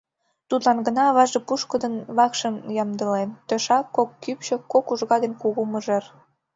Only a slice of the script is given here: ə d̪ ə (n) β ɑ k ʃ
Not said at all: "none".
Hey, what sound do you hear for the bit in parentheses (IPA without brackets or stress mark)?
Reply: n